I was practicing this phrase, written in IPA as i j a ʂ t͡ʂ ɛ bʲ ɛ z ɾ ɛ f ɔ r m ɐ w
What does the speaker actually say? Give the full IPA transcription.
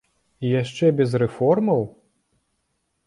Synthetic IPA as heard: i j a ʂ t͡ʂ ɛ bʲ ɛ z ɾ ɛ f ɔ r m ɐ w